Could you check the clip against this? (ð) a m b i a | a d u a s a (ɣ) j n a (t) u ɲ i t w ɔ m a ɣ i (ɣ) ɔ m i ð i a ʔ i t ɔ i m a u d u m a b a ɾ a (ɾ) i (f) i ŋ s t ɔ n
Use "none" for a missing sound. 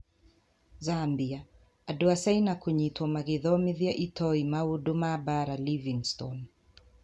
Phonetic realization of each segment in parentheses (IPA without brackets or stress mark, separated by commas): z, none, k, ð, l, v